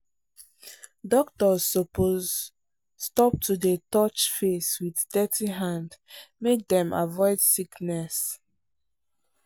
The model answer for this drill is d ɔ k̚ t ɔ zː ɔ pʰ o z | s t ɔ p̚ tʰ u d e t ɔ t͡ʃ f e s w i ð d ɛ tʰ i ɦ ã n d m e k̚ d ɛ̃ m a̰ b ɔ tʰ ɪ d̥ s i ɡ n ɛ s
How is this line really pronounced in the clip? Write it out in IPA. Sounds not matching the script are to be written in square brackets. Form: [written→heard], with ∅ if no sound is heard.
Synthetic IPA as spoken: d ɔ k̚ t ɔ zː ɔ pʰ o z | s t ɔ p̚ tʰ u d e t ɔ t͡ʃ f e s w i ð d ɛ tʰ i ɦ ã n d m e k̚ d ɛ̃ m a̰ [b→v] ɔ [tʰ→∅] ɪ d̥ s i [ɡ→k] n ɛ s